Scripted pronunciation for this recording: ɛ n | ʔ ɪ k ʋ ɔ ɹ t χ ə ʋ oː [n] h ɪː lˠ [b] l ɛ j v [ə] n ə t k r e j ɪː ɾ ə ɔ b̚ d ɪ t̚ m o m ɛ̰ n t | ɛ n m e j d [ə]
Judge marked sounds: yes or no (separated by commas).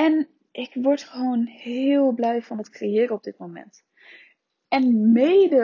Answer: yes, yes, no, yes